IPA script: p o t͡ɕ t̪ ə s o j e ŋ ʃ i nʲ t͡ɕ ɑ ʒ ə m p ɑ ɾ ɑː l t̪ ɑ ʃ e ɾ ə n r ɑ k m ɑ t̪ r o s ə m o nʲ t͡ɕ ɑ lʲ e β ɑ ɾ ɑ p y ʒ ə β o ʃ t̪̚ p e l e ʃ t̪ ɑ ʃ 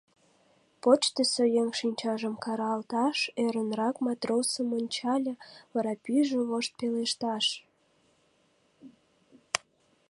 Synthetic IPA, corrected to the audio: p o t͡ɕ t̪ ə s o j e ŋ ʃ i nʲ t͡ɕ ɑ ʒ ə m k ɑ ɾ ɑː l t̪ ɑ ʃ e ɾ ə n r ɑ k m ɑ t̪ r o s ə m o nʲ t͡ɕ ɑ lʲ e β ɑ ɾ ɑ p y ʒ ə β o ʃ t̪̚ p e l e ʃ t̪ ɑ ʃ